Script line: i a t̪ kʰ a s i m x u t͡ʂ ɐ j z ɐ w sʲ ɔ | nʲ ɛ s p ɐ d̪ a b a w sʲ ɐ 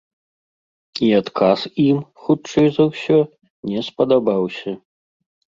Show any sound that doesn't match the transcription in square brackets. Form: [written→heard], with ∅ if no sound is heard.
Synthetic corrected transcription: i a t̪ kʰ a s i m x u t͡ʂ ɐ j z ɐ w sʲ ɔ | nʲ ɛ s p ɐ d̪ a b a w sʲ ɐ